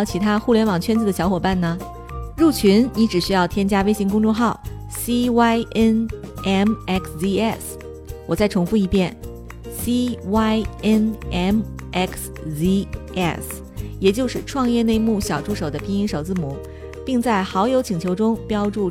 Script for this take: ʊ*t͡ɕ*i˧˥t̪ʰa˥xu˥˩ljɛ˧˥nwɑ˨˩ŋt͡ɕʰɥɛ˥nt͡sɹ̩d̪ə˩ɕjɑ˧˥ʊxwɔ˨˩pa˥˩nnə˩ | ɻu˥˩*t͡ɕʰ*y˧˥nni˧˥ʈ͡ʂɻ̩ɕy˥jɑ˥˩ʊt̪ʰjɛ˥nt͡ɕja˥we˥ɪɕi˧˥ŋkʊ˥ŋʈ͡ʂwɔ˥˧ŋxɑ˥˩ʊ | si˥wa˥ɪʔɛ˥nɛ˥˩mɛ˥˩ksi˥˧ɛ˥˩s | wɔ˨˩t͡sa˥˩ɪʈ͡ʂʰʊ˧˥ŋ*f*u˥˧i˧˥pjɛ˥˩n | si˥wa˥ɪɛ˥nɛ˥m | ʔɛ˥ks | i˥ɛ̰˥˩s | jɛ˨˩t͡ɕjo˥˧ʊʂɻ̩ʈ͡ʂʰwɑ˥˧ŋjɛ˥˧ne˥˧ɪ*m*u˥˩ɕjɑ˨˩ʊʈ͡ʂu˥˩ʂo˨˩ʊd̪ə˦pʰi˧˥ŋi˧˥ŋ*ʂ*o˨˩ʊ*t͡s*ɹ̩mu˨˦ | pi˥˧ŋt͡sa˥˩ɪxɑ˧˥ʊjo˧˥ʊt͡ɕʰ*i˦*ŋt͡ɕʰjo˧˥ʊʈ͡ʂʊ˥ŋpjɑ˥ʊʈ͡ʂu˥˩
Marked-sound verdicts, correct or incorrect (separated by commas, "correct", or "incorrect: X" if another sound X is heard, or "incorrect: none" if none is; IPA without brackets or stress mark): incorrect: t͡ɕʰ, correct, correct, correct, correct, correct, incorrect: i˨˩